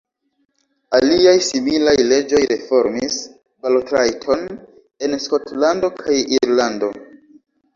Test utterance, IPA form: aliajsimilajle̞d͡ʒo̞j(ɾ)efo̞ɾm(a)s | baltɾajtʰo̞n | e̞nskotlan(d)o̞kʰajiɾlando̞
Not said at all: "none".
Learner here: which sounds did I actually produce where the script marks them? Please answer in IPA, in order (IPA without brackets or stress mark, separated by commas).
ɾ, i, d